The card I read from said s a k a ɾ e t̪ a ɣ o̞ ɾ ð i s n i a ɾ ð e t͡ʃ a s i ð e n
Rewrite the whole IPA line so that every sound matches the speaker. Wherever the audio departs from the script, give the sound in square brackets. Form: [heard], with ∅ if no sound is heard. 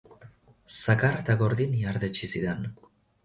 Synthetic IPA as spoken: s a k a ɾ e t̪ a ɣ o̞ ɾ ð i [∅] n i a ɾ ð e t͡ʃ [i] s i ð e n